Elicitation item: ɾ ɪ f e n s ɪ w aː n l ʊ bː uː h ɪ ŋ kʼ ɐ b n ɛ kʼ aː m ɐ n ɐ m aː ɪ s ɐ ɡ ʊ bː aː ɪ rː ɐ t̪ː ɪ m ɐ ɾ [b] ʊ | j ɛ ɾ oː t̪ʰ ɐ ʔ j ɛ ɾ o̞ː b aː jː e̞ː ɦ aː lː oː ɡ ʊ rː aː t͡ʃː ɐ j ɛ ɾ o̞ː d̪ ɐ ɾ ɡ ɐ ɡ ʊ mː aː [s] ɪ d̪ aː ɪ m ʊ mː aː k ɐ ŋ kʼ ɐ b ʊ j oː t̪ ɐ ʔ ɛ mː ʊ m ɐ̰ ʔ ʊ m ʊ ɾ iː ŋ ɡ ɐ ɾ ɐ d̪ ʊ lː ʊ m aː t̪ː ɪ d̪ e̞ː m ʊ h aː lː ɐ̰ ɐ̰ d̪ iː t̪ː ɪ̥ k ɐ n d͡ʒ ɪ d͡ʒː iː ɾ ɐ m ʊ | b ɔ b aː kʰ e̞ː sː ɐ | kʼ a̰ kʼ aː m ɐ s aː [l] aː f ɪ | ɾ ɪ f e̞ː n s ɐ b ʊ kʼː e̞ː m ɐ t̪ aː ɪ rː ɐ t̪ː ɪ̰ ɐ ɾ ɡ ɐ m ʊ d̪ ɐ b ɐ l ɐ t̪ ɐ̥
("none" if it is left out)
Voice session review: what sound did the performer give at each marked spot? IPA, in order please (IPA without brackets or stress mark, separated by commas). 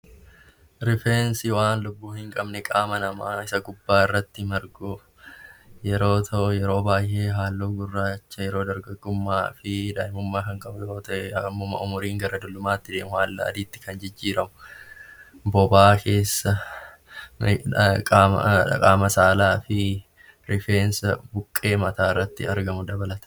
ɡ, f, l